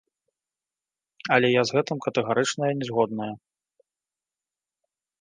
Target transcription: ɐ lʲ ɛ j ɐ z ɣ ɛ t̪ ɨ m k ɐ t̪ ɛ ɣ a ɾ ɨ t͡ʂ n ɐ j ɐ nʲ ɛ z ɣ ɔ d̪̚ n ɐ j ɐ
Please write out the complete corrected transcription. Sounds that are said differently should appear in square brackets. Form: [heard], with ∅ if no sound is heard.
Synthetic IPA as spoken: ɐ lʲ ɛ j [a] z ɣ ɛ t̪ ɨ m k ɐ t̪ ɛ ɣ a ɾ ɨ t͡ʂ n ɐ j ɐ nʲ ɛ z ɣ ɔ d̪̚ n ɐ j ɐ